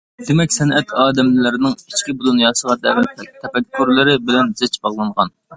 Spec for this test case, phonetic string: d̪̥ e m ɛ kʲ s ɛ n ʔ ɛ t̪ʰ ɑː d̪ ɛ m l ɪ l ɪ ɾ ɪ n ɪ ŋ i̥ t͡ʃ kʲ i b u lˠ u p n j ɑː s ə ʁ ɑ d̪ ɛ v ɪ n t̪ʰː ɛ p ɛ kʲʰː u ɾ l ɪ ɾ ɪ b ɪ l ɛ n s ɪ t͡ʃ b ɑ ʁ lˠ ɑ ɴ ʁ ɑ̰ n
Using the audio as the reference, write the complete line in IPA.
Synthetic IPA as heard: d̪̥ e m ɛ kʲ s ɛ n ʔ ɛ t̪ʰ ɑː d̪ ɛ m l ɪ l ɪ ɾ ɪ n ɪ ŋ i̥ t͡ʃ kʲ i b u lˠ u n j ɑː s ə ʁ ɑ d̪ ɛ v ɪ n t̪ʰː ɛ p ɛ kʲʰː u ɾ l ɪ ɾ ɪ b ɪ l ɛ n z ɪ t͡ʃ b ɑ ʁ lˠ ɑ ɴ ʁ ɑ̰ n